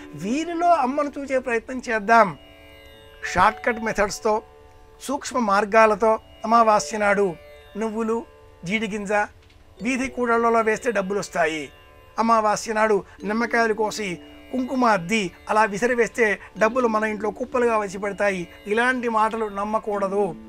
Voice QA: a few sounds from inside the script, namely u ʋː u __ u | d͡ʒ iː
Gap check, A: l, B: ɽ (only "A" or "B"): A